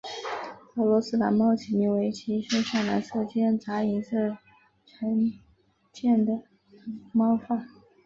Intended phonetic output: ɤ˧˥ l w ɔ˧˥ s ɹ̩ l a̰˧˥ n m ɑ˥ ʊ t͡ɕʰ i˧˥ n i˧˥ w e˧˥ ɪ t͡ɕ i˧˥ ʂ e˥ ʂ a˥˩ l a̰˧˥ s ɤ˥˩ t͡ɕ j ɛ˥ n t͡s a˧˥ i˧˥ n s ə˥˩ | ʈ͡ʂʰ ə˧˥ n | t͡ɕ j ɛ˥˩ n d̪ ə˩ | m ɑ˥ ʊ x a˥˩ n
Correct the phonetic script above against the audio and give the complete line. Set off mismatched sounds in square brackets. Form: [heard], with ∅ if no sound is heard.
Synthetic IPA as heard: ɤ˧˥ l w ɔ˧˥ s ɹ̩ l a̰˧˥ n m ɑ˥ ʊ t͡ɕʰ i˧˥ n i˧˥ w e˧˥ ɪ [t͡ɕʰ] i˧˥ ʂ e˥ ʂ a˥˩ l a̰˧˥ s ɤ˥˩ t͡ɕ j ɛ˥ n t͡s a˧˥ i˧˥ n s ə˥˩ | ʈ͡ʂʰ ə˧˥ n | t͡ɕ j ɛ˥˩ n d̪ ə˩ | m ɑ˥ ʊ [f] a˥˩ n